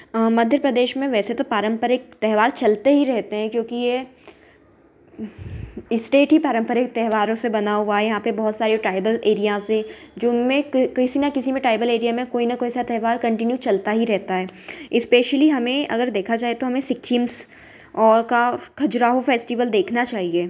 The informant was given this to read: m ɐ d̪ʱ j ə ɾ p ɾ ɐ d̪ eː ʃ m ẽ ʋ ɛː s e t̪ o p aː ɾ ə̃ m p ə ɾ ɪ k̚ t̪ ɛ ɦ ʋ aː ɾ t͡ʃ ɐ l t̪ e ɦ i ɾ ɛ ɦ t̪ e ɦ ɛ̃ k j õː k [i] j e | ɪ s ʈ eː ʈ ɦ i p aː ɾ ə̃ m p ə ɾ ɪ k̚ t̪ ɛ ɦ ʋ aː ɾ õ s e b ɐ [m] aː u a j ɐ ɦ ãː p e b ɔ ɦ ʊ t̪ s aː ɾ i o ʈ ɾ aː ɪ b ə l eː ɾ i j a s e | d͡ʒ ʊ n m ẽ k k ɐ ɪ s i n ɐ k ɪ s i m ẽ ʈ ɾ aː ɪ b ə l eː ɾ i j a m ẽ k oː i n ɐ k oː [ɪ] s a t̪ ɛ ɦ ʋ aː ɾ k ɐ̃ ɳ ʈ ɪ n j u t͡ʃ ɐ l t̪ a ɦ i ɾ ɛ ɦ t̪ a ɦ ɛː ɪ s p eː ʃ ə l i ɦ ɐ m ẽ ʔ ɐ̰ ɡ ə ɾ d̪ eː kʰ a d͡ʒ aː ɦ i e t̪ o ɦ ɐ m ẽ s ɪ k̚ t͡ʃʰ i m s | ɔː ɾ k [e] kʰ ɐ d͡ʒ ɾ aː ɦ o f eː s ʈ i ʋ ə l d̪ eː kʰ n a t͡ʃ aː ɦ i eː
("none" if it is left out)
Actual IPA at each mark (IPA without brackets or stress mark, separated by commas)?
i, n, i, a